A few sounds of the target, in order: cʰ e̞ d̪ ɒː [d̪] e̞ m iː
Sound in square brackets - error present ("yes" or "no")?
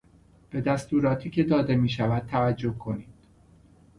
no